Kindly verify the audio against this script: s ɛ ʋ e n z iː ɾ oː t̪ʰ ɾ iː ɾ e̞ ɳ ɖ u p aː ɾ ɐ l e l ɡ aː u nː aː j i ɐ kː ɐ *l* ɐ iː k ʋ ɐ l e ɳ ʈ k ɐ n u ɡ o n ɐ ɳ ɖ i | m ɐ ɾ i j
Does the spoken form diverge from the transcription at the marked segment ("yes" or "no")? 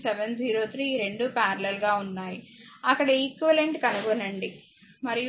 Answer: yes